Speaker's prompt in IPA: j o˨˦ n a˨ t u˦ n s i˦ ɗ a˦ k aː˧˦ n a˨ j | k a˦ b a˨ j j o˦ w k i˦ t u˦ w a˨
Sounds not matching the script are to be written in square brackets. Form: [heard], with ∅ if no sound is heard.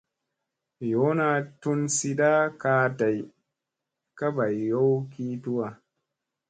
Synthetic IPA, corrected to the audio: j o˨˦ n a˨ t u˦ n s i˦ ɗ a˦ k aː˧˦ [d] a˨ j | k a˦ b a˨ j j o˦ w k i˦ t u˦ w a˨

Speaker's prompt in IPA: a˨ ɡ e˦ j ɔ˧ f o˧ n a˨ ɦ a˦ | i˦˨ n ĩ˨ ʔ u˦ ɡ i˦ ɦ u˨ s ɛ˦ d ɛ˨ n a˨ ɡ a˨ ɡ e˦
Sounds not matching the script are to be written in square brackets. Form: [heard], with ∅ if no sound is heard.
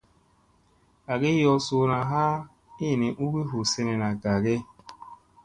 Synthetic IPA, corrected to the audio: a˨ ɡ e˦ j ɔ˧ [s] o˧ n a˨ ɦ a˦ | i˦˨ n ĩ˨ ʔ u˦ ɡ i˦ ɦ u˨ s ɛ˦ [n] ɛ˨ n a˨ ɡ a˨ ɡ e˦

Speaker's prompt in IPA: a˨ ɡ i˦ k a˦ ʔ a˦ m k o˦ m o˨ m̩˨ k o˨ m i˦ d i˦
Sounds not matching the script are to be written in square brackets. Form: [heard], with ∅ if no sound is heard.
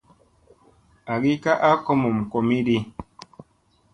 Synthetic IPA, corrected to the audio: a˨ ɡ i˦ k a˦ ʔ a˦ [∅] k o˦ m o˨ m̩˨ k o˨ m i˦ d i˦

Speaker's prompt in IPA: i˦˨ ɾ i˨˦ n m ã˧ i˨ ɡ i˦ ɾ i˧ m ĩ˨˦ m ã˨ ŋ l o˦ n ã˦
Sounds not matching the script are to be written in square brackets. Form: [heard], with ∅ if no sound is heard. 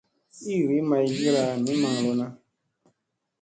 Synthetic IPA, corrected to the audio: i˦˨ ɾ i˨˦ [∅] m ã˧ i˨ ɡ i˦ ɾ [a˧] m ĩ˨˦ m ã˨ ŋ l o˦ n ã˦

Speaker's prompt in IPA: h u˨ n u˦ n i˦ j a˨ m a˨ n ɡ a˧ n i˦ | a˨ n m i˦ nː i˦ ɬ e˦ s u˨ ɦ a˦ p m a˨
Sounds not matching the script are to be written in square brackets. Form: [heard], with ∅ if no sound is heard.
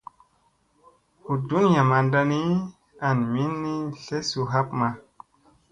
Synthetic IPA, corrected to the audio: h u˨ [d] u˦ n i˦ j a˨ m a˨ n [d] a˧ n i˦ | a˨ n m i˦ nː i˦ ɬ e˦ s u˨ ɦ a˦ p m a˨

